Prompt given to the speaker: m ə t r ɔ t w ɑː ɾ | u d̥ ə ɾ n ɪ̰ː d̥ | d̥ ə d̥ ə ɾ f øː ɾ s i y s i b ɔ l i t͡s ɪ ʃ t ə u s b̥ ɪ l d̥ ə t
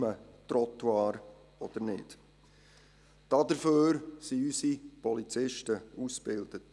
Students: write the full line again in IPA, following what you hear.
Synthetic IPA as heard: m ə t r ɔ t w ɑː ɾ | ɔ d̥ ə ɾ n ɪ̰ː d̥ | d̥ ɑ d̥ ə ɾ f øː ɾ s i y s i p ɔ l i t͡s ɪ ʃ t ə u s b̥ ɪ l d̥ ə t